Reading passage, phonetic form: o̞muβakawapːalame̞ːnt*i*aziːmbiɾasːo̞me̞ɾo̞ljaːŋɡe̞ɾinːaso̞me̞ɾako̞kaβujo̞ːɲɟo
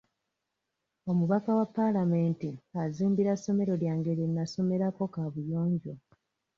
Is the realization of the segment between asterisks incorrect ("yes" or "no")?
no